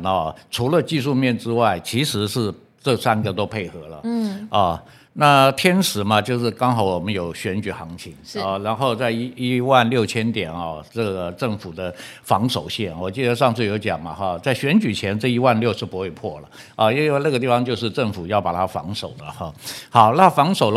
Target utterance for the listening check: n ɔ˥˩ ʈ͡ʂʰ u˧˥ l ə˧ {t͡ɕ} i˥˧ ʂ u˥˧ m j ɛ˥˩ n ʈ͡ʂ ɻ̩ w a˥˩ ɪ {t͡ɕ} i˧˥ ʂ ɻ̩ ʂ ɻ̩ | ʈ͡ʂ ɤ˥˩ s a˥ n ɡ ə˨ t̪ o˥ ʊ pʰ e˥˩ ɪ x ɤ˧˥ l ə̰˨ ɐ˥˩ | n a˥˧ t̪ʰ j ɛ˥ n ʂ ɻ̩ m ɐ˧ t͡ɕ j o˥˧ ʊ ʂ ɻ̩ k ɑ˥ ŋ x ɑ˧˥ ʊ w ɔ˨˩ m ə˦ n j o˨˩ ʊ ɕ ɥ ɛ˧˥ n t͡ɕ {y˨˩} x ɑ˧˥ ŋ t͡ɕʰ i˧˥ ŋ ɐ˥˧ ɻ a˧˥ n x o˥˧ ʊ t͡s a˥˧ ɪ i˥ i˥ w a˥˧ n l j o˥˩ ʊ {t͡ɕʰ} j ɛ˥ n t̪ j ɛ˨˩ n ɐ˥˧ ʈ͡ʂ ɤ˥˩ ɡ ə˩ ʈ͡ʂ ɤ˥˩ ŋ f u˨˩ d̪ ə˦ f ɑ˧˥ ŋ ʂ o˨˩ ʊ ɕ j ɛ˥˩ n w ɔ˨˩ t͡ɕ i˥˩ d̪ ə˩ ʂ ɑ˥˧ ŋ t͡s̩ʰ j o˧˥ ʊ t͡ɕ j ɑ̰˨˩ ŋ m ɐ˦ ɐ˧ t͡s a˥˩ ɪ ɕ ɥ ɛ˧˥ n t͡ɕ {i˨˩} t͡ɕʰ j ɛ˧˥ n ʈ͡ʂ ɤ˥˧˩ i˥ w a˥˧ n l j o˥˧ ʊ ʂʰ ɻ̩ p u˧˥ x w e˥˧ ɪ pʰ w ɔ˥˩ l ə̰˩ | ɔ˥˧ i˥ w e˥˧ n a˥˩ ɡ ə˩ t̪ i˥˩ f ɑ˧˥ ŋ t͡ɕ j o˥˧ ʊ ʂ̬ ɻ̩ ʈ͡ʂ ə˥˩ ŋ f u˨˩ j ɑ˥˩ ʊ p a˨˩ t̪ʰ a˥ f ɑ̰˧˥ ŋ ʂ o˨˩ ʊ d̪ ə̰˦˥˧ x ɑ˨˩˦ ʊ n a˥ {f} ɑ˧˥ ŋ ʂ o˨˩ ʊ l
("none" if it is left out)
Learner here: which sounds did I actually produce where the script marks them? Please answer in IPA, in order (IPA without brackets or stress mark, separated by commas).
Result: t͡ɕ, t͡ɕʰ, y˨˩, t͡ɕʰ, y˨˩, f